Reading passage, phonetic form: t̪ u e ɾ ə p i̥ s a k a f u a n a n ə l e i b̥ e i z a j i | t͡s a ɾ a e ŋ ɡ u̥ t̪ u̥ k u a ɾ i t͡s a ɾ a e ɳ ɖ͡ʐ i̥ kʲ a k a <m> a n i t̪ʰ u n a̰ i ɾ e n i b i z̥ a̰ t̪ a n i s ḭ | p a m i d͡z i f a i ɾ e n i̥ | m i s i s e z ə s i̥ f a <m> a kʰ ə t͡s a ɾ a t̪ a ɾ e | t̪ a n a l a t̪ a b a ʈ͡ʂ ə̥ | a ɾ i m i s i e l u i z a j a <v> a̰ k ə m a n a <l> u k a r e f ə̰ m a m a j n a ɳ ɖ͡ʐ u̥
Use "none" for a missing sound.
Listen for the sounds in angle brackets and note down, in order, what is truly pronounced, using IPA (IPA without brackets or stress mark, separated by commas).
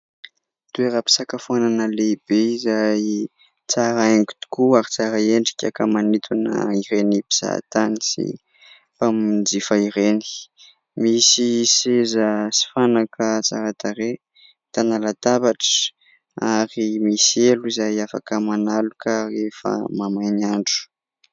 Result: m, n, f, l